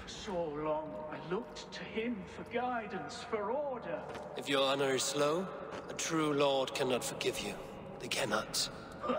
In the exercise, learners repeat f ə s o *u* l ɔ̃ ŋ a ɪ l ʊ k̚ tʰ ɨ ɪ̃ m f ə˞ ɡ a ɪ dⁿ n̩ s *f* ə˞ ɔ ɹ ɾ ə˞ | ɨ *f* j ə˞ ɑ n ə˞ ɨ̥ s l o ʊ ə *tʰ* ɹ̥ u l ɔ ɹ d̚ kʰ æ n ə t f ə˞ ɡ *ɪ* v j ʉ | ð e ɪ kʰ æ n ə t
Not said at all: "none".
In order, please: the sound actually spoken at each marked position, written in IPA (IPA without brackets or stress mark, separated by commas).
ʊ, f, f, tʰ, ɪ